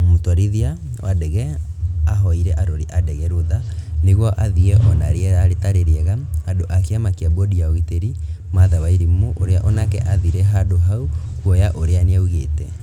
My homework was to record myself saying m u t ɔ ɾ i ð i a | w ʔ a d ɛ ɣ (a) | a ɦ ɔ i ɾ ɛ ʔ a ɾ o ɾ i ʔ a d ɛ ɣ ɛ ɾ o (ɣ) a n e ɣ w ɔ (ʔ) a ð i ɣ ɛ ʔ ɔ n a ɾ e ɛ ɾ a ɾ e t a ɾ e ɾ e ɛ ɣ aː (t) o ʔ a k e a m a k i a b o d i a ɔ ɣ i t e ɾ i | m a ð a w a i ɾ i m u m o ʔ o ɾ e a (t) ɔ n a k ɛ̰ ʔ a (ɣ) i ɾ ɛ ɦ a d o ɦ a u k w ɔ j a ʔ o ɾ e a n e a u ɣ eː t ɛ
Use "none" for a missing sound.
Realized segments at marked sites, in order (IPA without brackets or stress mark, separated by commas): ɛ, ð, ʔ, d, ʔ, ð